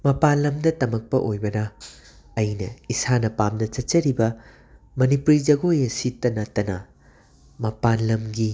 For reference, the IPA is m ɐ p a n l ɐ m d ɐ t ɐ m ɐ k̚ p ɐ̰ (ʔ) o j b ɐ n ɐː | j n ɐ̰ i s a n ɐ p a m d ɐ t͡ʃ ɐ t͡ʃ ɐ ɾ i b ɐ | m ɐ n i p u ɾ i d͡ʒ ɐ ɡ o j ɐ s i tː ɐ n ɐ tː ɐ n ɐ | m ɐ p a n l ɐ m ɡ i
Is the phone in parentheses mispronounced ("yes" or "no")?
no